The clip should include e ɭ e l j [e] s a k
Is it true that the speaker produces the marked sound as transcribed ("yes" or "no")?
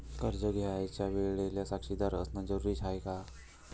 no